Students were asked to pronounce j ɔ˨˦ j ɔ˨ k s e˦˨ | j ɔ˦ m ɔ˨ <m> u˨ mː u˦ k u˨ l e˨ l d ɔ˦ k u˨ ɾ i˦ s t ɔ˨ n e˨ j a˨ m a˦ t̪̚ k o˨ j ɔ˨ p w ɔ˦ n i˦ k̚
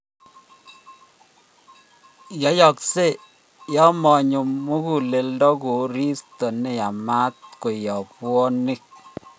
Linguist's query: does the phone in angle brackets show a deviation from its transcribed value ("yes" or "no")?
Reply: yes